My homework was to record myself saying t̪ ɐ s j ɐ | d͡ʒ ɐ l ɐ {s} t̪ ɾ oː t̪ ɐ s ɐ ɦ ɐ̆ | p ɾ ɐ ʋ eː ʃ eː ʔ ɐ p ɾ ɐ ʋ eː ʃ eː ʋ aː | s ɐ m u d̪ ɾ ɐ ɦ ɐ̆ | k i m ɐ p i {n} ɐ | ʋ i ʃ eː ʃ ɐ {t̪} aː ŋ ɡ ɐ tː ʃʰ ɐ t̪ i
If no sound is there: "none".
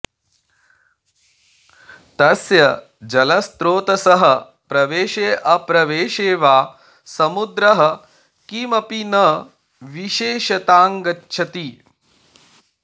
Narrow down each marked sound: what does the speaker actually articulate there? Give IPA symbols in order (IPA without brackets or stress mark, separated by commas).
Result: s, n, t̪